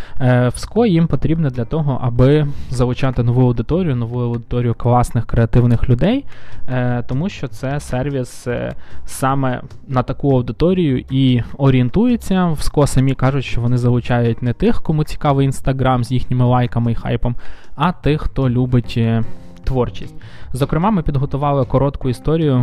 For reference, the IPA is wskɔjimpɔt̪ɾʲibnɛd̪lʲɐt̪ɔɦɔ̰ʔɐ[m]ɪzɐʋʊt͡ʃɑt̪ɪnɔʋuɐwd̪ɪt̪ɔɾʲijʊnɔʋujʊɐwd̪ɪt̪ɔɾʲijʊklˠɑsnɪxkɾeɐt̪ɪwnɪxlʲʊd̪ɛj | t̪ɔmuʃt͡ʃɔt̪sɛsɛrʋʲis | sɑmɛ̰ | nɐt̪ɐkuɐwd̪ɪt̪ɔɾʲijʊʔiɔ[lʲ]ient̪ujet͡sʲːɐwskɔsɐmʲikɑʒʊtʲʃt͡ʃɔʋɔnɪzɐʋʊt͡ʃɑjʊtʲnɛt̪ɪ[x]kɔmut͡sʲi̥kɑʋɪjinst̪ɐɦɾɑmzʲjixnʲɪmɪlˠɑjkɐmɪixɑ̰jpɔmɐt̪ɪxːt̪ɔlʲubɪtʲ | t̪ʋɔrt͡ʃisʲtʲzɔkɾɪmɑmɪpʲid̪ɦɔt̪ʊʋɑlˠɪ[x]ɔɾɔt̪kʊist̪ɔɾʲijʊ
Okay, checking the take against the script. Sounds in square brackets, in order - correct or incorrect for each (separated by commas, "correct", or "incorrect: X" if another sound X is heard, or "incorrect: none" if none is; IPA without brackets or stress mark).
incorrect: b, incorrect: ɾʲ, correct, incorrect: k